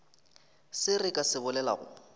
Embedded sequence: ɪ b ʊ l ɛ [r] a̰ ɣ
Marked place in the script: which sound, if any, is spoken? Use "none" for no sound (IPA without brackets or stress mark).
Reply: l